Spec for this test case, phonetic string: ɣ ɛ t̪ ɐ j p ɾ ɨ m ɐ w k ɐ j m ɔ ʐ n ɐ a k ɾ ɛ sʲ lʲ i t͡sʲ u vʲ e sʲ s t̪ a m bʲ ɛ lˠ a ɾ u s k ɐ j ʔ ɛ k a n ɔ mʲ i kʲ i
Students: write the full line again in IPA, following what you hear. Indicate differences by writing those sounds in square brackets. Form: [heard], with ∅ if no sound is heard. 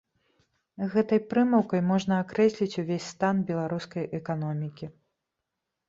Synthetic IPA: ɣ ɛ t̪ ɐ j p ɾ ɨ m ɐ w k ɐ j m ɔ ʐ n ɐ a k ɾ ɛ sʲ lʲ i t͡sʲ u vʲ e sʲ s t̪ a [n] bʲ ɛ lˠ a ɾ u s k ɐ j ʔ ɛ k a n ɔ mʲ i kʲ i

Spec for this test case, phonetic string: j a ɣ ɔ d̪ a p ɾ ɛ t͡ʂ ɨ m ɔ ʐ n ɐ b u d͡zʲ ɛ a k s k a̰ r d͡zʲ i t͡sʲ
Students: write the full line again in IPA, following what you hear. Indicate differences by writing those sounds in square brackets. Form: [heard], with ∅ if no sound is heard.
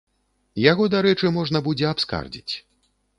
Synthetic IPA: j a ɣ ɔ d̪ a [∅] ɾ ɛ t͡ʂ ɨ m ɔ ʐ n ɐ b u d͡zʲ ɛ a [p] s k a̰ r d͡zʲ i t͡sʲ

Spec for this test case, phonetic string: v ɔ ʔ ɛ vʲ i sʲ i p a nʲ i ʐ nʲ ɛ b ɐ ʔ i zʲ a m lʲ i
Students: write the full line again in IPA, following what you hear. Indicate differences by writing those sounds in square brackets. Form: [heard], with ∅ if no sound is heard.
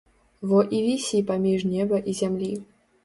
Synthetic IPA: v ɔ ʔ [i] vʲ i sʲ i p a [mʲ] i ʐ nʲ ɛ b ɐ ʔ i zʲ a m lʲ i

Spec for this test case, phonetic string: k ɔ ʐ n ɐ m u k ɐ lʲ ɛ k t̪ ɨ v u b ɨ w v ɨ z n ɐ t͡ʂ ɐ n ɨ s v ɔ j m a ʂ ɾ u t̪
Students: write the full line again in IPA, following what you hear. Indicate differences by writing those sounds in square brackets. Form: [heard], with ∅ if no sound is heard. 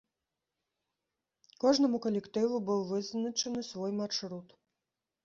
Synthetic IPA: k ɔ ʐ n ɐ m u k ɐ lʲ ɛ k t̪ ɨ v u b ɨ w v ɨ z n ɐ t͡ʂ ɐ n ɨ s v ɔ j m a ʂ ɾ u t̪

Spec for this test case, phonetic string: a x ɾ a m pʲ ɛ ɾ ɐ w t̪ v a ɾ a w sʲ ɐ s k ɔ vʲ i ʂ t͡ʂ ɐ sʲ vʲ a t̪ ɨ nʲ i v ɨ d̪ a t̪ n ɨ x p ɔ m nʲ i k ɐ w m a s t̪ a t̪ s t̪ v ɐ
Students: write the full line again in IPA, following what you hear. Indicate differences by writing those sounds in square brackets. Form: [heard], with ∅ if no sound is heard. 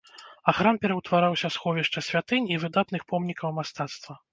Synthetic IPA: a x ɾ a m pʲ ɛ ɾ ɐ w t̪ v a ɾ a w sʲ ɐ s [x] ɔ vʲ i ʂ t͡ʂ ɐ sʲ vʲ a t̪ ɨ nʲ i v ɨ d̪ a t̪ n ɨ x p ɔ m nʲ i k ɐ w m a s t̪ a t̪ s t̪ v ɐ

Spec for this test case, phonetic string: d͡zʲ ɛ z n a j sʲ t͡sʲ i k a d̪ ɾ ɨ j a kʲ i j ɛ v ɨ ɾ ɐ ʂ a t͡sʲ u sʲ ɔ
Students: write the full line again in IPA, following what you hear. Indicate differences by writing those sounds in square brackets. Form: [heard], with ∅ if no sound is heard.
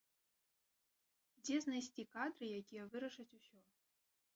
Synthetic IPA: d͡zʲ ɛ z n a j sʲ t͡sʲ i k a d̪ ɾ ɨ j a kʲ i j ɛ v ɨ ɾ ɐ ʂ [ɐ] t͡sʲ u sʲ ɔ

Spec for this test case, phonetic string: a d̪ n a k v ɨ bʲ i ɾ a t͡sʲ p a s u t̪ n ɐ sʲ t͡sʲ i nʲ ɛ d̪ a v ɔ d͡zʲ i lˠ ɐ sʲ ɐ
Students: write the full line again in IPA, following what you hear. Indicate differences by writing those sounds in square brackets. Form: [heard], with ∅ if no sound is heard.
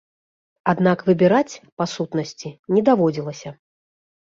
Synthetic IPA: a d̪ n a k v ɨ bʲ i ɾ a t͡sʲ p a s u t̪ n ɐ sʲ t͡sʲ i nʲ ɛ d̪ a v ɔ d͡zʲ i lˠ ɐ sʲ ɐ

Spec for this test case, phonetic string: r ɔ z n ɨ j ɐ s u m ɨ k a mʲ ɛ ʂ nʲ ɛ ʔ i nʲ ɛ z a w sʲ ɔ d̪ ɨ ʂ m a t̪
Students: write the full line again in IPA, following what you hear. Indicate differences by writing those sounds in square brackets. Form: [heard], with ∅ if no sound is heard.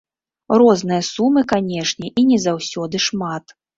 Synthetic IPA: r ɔ z n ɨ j ɐ s u m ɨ k a [nʲ] ɛ ʂ nʲ ɛ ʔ i nʲ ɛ z a w sʲ ɔ d̪ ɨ ʂ m a t̪

